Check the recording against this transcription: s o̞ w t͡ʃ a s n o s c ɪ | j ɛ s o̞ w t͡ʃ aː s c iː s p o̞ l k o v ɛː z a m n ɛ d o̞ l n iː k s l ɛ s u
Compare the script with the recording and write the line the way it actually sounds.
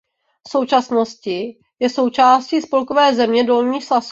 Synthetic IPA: s o̞ w t͡ʃ a s n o s c ɪ | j ɛ s o̞ w t͡ʃ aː s c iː s p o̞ l k o v ɛː z ɛ m ɲ ɛ d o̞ l ɲ iː x s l a s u